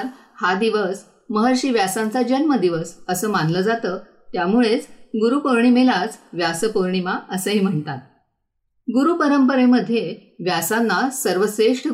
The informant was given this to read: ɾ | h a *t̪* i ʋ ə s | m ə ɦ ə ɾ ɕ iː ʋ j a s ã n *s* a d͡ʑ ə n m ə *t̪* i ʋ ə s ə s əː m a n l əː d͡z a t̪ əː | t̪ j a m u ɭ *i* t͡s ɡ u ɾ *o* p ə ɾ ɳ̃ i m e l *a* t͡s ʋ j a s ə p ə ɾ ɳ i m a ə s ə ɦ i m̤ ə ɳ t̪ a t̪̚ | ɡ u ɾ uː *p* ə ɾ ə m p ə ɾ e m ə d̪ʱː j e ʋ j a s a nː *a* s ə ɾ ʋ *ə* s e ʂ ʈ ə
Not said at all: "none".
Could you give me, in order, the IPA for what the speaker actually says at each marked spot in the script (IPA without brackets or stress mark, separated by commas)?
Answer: d̪, t͡s, d̪, e, u, a, p, a, ə